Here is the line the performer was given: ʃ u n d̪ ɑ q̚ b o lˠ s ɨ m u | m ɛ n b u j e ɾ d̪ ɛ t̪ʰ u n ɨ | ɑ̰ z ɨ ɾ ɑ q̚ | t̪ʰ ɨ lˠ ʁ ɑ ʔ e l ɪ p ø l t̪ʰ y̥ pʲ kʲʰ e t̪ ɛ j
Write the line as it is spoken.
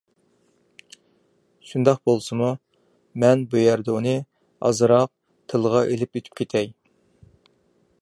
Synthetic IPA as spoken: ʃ u n d̪ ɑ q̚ b o lˠ s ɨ m u | m ɛ n b u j æ ɾ d̪ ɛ u n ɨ | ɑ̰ z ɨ ɾ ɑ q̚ | t̪ʰ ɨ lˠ ʁ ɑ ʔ e l ɪ p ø t̪ʰ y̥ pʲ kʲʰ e t̪ʰ ɛ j

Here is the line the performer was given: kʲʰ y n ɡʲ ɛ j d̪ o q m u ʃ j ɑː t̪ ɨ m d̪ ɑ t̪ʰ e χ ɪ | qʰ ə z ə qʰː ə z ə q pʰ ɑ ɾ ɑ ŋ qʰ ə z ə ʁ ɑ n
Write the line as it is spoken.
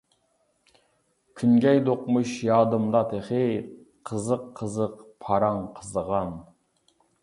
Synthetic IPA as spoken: kʲʰ y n ɡʲ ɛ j d̪ o q m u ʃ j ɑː d̪ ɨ m d̪ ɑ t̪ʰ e χ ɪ | qʰ ə z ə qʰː ə z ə q pʰ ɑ ɾ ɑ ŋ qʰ ə z ə ʁ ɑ n

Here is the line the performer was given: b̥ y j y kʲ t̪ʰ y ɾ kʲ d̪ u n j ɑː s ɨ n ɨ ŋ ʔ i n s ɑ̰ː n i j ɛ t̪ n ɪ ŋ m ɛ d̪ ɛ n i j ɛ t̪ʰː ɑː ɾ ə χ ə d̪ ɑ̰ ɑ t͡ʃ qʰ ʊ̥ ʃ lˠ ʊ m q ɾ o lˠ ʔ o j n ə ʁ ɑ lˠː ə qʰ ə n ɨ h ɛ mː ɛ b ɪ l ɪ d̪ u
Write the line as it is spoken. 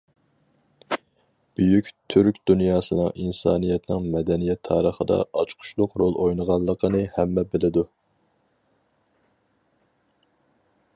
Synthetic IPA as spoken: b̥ y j y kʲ t̪ʰ y ɾ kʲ d̪ u n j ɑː s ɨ n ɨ ŋ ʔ i n s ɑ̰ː n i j ɛ t̪ n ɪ ŋ m ɛ d̪ ɛ n i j ɛ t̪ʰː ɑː ɾ ə χ ə d̪ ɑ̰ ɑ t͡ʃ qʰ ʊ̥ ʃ lˠ ʊ q ɾ o lˠ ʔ o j n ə ʁ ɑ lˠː ə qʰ ə n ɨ h ɛ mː ɛ b ɪ l ɪ d̪ u

